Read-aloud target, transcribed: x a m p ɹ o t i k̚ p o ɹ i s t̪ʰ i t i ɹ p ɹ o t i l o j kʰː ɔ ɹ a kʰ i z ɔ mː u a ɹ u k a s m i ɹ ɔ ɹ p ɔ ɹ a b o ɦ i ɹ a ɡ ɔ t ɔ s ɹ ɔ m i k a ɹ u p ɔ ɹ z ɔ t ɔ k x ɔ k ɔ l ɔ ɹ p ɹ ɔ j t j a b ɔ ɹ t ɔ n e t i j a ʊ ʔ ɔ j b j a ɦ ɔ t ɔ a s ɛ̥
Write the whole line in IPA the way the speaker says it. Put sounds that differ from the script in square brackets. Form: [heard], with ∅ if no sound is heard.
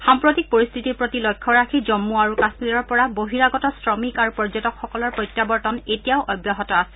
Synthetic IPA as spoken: x a m p ɹ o t i k̚ p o ɹ i s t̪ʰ i t i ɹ p ɹ o t i l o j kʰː ɔ ɹ a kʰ i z ɔ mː u a ɹ u k a s m i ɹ ɔ ɹ p ɔ ɹ a b o ɦ i ɹ a ɡ ɔ t ɔ s ɹ ɔ m i k a ɹ u p ɔ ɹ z ɔ t ɔ k x ɔ k ɔ l ɔ ɹ p ɹ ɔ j t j a b ɔ ɹ t ɔ n e t i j a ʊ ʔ ɔ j b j a ɦ ɔ t ɔ a s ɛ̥

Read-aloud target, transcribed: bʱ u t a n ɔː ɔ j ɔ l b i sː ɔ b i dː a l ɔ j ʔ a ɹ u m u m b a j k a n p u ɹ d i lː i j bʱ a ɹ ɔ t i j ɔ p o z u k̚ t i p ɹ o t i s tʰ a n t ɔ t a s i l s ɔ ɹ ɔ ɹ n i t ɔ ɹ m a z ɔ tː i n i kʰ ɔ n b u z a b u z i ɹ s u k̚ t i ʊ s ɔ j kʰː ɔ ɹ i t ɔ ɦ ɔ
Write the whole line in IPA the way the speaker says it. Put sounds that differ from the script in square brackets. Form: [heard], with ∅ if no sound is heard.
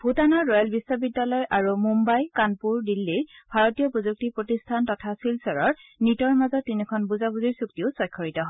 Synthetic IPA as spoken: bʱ u t a n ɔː ɔ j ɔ l b i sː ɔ b i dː a l ɔ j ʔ a ɹ u m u m b a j k a n p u ɹ d i lː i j bʱ a ɹ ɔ t i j ɔ p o z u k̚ t i p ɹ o t i s tʰ a n t ɔ [tʰ] a s i l s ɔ ɹ ɔ ɹ n i t ɔ ɹ m a z ɔ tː i n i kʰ ɔ n b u z a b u z i ɹ s u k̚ t i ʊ s ɔ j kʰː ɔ ɹ i t ɔ ɦ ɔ

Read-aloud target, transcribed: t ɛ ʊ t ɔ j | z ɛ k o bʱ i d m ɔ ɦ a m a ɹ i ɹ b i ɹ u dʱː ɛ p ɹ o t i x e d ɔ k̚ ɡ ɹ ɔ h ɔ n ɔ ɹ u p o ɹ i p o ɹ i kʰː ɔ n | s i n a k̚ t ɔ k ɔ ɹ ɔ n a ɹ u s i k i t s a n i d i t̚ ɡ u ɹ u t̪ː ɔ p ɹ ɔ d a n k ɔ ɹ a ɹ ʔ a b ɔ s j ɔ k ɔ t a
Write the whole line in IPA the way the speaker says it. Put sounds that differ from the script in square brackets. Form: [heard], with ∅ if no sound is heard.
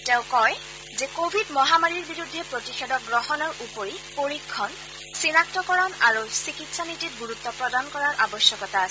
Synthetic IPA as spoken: t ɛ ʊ [k] ɔ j | z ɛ k o bʱ i d m ɔ ɦ a m a ɹ i ɹ b i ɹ u dʱː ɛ p ɹ o t i x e d ɔ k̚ ɡ ɹ ɔ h ɔ n ɔ ɹ u p o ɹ i p o ɹ i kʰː ɔ n | s i n a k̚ t ɔ k ɔ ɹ ɔ n a ɹ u s i k i t s a n i [t] i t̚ ɡ u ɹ u t̪ː ɔ p ɹ ɔ d a n k ɔ ɹ a ɹ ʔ a b ɔ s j ɔ k ɔ t a

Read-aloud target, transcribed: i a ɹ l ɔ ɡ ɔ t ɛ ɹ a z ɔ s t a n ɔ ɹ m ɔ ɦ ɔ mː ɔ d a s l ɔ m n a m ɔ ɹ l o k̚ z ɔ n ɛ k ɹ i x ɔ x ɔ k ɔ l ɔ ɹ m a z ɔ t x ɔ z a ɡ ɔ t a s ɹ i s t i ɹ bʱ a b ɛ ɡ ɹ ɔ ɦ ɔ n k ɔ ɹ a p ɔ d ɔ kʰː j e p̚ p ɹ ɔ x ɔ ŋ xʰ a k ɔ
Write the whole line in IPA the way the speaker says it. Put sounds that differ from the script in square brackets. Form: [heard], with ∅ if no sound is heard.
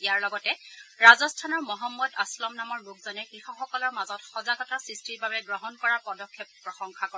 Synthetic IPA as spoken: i a ɹ l ɔ ɡ ɔ t ɛ ɹ a z ɔ s [tʰ] a n ɔ ɹ m ɔ ɦ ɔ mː ɔ d a s l ɔ m n a m ɔ ɹ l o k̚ z ɔ n ɛ k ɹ i x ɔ x ɔ k ɔ l ɔ ɹ m a z ɔ t x ɔ z a ɡ ɔ t a s ɹ i s t i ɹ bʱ a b ɛ ɡ ɹ ɔ ɦ ɔ n k ɔ ɹ a p ɔ d ɔ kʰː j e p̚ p ɹ ɔ x ɔ ŋ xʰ a k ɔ

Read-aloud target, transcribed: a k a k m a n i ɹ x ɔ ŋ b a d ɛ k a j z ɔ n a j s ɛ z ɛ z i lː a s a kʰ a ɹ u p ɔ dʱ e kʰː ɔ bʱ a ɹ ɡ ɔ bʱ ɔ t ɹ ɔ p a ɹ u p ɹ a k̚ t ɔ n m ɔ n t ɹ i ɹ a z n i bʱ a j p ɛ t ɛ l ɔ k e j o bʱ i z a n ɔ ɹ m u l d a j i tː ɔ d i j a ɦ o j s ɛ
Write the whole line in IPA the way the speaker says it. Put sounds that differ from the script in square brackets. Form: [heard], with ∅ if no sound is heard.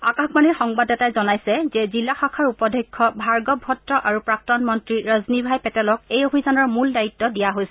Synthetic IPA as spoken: a k a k m a n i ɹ x ɔ ŋ b a d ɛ [t] a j z ɔ n a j s ɛ z ɛ z i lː a [x] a kʰ a ɹ u p ɔ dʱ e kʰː ɔ bʱ a ɹ ɡ ɔ bʱ ɔ t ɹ ɔ [ʔ] a ɹ u p ɹ a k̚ t ɔ n m ɔ n t ɹ i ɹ a z n i bʱ a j p ɛ t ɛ l ɔ k e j o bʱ i z a n ɔ ɹ m u l d a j i tː ɔ d i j a ɦ o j s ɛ

